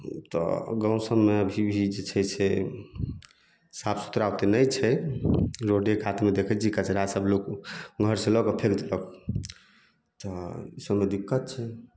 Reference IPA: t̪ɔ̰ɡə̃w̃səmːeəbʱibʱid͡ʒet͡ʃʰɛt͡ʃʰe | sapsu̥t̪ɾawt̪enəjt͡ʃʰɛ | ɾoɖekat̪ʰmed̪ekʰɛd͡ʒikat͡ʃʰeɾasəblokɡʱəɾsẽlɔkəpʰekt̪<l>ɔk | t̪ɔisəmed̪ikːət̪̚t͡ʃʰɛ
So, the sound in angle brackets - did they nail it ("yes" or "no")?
yes